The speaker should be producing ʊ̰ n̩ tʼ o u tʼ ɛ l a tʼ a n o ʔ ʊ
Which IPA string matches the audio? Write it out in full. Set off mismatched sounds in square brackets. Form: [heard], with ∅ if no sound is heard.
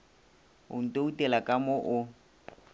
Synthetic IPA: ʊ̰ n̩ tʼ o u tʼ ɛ l a [kʼ] a [m] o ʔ ʊ